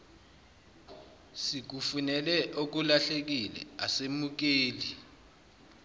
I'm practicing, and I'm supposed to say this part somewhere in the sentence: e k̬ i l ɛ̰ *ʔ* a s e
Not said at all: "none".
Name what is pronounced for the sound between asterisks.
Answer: none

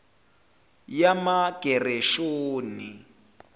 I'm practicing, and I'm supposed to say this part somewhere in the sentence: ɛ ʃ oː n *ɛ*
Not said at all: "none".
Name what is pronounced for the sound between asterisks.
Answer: i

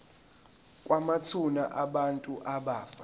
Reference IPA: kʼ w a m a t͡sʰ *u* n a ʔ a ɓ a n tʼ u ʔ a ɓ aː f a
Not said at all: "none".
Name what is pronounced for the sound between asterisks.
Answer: u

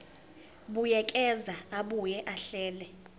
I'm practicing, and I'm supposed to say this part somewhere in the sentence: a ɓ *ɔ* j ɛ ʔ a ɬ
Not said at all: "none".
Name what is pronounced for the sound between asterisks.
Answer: u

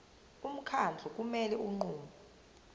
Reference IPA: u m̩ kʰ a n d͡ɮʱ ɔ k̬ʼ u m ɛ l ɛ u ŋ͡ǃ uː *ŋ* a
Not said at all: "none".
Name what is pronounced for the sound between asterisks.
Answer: m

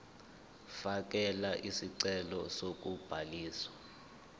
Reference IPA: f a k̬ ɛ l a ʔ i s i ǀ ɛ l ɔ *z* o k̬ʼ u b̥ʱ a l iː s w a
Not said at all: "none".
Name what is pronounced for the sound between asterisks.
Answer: s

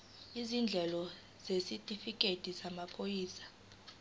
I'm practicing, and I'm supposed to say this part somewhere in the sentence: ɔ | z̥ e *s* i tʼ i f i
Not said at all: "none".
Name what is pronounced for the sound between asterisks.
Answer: s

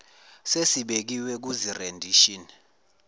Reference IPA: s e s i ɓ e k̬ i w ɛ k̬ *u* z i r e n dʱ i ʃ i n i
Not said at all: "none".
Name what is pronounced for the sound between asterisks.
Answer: u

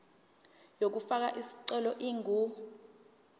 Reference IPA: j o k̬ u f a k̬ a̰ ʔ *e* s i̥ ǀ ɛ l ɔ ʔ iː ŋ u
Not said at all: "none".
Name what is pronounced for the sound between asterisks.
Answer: i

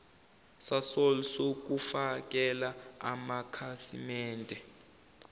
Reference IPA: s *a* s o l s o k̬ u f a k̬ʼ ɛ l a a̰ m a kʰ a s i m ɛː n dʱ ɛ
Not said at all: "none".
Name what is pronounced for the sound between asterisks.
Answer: a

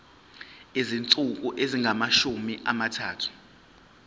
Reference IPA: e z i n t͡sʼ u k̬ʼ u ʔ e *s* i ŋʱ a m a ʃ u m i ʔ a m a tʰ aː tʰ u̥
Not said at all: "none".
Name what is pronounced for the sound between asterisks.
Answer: z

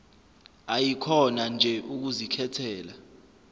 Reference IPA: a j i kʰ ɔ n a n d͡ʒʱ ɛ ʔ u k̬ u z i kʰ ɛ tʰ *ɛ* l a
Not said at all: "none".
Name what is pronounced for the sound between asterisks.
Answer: ɛː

